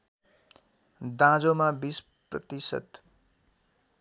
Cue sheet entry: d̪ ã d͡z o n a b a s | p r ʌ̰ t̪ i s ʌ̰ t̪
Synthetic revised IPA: d̪ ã d͡z o m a b i s | p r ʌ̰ t̪ i s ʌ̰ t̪